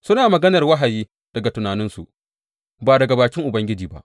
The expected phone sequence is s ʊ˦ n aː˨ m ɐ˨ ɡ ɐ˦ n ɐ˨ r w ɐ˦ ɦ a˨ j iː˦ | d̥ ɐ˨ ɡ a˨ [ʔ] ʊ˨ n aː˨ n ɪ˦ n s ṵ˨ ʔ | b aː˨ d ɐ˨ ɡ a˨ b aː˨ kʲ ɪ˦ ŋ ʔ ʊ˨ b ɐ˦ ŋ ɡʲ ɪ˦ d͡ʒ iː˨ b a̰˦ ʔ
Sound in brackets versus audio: incorrect: t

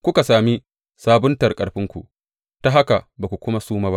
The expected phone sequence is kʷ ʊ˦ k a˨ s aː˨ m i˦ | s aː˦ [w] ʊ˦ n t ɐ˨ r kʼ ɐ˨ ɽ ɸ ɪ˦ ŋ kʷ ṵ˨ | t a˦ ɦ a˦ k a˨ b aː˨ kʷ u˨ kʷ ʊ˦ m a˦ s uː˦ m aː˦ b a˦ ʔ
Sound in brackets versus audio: incorrect: b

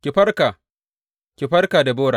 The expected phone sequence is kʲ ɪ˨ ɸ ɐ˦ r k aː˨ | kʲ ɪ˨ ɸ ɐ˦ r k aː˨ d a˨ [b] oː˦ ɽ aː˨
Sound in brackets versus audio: correct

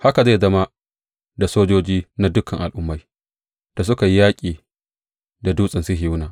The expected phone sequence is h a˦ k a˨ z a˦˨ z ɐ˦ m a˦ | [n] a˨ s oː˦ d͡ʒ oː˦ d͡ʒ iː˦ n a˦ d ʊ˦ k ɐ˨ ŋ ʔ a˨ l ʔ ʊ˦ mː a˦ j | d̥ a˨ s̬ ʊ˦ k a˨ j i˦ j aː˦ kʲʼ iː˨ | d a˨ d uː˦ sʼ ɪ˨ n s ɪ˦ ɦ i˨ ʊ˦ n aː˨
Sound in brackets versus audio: incorrect: d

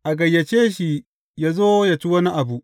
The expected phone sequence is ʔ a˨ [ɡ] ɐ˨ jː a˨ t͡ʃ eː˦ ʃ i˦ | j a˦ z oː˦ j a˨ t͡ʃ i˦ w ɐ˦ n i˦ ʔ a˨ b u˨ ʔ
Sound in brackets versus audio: correct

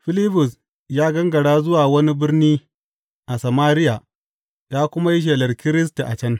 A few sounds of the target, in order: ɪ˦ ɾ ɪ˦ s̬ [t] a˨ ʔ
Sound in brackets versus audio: correct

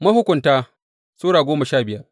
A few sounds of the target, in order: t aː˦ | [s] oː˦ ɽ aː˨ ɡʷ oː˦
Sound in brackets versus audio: correct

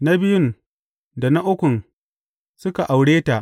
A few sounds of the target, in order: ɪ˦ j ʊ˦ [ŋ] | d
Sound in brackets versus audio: incorrect: n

